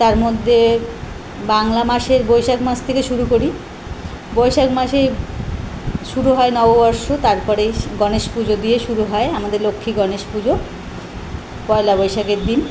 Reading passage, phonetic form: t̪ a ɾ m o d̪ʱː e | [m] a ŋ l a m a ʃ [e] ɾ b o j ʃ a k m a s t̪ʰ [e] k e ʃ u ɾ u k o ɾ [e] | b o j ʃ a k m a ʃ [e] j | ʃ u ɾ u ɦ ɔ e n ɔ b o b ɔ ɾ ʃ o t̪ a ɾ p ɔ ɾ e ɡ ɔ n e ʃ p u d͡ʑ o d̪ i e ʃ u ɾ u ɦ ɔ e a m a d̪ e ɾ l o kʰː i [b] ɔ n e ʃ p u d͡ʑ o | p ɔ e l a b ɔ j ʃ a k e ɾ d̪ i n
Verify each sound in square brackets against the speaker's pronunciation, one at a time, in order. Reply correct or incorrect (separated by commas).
incorrect, correct, correct, incorrect, correct, incorrect